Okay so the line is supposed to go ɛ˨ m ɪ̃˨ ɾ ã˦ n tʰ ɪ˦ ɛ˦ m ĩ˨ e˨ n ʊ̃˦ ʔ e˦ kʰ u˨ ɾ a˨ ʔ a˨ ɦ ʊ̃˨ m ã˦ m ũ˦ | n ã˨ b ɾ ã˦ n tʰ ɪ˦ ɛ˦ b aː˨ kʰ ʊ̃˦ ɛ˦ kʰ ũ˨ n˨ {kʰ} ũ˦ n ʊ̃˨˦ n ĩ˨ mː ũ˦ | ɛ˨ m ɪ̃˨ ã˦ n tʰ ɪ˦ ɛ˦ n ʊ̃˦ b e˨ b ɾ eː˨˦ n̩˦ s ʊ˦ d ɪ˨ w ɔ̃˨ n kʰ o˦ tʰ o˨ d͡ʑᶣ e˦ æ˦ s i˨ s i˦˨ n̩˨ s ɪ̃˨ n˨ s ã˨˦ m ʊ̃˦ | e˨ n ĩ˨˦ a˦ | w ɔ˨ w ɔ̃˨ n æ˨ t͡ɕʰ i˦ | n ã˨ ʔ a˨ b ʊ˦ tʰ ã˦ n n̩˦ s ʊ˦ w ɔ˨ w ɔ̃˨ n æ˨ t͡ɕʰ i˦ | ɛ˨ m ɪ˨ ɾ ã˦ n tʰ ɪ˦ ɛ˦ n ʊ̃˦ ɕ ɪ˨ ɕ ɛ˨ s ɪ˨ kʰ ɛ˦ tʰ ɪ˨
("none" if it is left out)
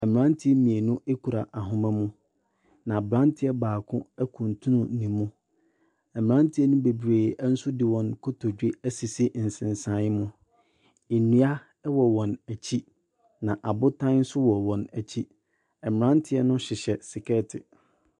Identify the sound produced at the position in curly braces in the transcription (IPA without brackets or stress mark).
tʰ